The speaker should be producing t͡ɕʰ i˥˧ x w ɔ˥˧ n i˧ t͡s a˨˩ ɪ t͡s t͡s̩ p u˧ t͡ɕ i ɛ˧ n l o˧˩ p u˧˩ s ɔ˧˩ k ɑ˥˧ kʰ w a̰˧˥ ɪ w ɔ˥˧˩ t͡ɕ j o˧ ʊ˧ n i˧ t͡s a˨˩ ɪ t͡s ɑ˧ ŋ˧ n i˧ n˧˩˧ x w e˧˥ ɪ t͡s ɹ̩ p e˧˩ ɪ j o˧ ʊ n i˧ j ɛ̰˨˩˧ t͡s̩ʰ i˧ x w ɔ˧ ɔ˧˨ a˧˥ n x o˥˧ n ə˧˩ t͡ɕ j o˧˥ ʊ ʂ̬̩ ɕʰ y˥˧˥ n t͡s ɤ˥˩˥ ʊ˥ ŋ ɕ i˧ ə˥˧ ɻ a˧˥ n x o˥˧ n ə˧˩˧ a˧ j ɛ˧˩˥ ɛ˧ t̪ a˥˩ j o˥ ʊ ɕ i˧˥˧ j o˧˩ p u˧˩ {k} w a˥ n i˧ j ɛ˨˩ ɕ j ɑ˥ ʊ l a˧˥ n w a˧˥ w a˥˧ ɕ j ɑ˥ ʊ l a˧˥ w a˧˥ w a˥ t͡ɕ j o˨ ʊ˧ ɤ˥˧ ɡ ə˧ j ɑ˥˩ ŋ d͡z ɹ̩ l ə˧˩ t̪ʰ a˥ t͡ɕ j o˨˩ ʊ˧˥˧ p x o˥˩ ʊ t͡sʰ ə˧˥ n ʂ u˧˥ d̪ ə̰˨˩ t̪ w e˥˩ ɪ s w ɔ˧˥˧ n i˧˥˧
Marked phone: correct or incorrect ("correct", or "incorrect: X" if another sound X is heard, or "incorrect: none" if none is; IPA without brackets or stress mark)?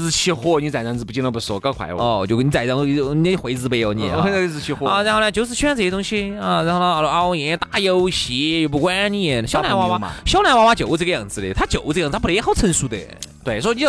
correct